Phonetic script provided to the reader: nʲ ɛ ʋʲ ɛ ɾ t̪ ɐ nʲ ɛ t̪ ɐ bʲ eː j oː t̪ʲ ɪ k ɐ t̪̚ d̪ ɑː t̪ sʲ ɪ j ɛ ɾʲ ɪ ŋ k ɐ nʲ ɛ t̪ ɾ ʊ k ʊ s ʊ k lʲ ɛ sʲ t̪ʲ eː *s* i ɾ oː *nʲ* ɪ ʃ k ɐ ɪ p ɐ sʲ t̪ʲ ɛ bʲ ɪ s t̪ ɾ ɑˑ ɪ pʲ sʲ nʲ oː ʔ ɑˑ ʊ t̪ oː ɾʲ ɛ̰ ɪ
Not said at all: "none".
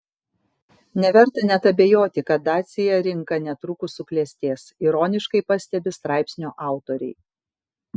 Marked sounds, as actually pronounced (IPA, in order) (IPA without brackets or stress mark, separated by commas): s, nʲ